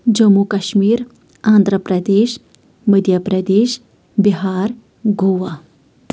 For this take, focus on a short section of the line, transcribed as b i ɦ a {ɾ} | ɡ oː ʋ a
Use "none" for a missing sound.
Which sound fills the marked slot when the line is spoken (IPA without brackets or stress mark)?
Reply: ɾ